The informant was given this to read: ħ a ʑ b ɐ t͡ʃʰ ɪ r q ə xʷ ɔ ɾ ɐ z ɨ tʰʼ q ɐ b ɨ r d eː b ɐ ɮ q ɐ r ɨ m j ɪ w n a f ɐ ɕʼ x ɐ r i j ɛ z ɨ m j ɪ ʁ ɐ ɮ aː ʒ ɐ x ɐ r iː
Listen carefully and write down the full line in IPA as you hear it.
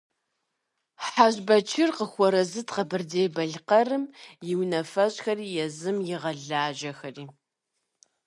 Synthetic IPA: ħ a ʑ b ɐ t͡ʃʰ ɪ r q ə xʷ ɔ ɾ ɐ z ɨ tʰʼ q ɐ b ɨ r d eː b ɐ ɮ q ɐ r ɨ m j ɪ w n ɐ f ɐ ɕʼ x ɐ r iː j ɛ z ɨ m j ɪ ʁ ɐ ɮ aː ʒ ɐ x ɐ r iː